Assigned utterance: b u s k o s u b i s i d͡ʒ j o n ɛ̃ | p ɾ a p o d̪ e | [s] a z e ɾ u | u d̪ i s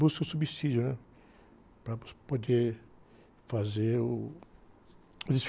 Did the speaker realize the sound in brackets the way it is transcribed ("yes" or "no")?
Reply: no